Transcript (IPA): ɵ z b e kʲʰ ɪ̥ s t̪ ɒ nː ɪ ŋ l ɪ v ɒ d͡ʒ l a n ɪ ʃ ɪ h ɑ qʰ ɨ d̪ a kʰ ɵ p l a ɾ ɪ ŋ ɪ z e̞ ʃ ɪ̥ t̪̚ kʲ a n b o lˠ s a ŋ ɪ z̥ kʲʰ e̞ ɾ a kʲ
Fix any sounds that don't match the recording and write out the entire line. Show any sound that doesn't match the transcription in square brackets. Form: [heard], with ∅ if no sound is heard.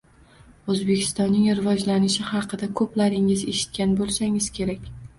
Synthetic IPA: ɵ z b e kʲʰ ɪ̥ s t̪ ɒ nː ɪ ŋ [ɾ] ɪ v ɒ d͡ʒ l a n ɪ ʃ ɪ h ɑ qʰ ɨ d̪ a kʰ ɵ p l a ɾ ɪ ŋ ɪ z e̞ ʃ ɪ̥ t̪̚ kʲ a n b o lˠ s a ŋ ɪ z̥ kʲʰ e̞ ɾ a kʲ